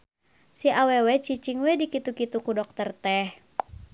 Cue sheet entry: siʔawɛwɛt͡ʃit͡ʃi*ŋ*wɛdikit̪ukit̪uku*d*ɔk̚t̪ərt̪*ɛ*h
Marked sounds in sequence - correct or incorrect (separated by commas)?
correct, correct, correct